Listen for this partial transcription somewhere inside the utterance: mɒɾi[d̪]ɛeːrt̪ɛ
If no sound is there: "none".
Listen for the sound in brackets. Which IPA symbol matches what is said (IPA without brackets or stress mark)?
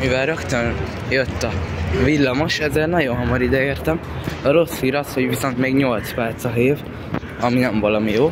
d̪